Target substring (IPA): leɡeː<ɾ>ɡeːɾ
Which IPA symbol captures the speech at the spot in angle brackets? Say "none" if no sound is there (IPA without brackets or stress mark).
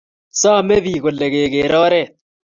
none